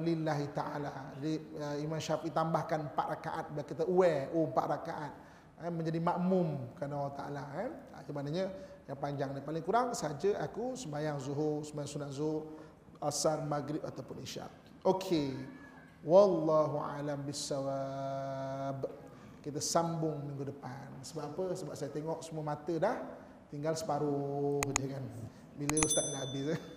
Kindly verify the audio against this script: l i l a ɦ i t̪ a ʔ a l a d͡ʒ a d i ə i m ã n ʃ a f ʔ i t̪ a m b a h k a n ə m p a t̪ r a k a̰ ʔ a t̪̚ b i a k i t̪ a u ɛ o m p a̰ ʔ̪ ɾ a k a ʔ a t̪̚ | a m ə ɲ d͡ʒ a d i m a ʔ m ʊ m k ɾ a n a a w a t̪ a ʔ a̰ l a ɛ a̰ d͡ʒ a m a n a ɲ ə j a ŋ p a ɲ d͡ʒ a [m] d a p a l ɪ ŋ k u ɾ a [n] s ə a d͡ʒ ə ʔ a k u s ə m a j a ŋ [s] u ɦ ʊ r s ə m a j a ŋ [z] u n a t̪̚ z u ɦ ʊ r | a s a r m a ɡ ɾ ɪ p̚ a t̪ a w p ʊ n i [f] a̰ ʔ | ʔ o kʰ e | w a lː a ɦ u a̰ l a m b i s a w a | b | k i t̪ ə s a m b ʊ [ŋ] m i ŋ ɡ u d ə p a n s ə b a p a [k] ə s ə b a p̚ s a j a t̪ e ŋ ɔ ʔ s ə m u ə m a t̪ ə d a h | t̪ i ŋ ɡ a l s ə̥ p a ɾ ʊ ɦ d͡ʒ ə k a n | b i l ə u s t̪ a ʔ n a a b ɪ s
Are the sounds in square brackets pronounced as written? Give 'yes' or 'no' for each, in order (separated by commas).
no, no, no, no, no, yes, no